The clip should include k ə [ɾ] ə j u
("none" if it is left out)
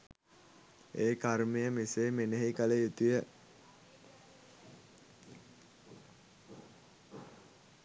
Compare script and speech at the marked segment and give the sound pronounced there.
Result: l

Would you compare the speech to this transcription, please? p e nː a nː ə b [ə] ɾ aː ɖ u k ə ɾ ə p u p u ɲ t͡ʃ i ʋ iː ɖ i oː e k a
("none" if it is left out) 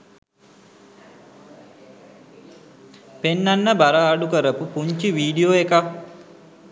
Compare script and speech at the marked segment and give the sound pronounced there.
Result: a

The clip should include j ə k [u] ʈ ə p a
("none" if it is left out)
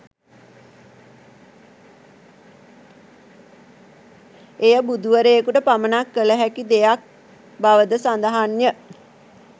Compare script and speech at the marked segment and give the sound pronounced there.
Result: u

